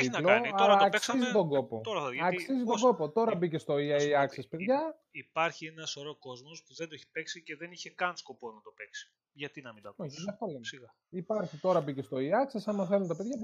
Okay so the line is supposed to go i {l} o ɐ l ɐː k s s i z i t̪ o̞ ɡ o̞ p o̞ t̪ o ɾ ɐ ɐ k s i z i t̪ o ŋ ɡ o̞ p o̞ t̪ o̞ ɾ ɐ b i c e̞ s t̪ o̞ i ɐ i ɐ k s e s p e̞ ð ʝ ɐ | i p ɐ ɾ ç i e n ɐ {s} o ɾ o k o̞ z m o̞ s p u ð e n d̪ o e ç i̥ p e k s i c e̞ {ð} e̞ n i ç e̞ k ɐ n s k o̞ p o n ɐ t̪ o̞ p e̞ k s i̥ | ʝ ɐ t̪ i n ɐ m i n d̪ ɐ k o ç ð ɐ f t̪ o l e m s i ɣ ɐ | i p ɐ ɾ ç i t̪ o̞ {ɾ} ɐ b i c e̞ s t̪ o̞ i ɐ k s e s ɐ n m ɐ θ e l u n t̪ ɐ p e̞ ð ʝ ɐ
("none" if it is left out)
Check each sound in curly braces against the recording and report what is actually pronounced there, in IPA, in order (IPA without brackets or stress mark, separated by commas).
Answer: l, s, ð, ɾ